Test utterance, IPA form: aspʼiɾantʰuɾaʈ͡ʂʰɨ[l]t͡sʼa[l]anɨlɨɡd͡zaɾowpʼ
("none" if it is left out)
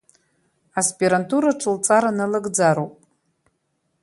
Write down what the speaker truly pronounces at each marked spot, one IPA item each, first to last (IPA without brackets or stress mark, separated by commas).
l, ɾ